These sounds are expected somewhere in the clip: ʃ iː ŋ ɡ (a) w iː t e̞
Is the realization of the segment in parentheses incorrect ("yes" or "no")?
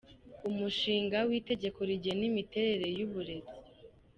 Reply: no